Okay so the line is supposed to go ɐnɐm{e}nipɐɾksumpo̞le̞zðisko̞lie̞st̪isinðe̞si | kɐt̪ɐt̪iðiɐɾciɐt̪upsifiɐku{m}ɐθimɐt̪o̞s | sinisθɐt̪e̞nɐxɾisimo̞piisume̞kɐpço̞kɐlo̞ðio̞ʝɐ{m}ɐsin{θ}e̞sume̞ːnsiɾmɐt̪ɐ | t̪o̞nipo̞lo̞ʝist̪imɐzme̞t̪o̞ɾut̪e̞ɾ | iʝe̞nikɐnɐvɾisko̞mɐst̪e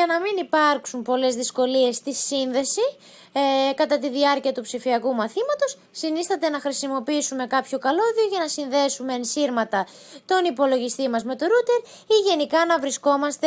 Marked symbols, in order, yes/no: no, yes, no, no

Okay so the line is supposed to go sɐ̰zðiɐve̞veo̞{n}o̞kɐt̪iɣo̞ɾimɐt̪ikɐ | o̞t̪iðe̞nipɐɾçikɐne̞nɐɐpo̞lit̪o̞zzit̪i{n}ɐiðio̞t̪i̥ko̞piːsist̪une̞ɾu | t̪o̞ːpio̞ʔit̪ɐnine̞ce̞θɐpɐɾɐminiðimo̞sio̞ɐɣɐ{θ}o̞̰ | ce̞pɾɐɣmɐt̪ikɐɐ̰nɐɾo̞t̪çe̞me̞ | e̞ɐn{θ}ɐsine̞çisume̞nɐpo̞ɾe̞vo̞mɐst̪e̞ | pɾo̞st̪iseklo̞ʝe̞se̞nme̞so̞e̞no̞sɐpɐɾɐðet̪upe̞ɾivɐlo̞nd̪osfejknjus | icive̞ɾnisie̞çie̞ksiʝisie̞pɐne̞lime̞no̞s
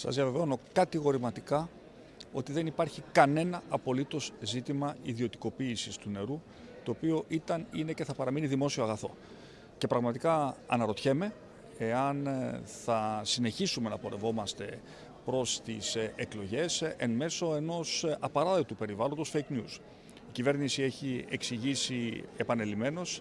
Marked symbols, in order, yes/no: yes, no, yes, yes

